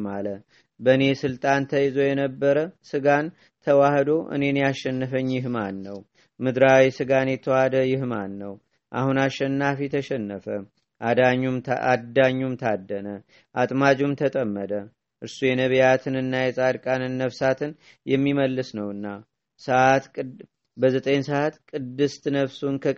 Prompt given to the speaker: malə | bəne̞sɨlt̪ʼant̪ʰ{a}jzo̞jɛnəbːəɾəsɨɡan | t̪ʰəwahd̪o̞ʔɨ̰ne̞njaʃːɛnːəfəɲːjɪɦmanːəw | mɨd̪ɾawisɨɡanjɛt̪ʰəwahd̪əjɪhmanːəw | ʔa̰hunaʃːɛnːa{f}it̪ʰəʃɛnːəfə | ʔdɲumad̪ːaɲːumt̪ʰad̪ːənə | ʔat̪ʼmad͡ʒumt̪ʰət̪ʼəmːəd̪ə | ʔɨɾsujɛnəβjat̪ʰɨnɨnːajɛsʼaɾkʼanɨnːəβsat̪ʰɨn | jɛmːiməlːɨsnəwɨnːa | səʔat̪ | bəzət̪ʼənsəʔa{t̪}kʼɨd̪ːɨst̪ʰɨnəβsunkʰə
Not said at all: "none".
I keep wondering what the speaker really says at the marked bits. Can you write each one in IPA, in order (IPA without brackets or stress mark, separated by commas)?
ə, f, t̪